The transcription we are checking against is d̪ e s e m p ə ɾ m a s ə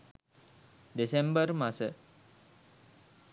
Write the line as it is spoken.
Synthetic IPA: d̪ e s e m b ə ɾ m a s ə